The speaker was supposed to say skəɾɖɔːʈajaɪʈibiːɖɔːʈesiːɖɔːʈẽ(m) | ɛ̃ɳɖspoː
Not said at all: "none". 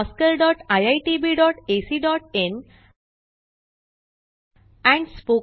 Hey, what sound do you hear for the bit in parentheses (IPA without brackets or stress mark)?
n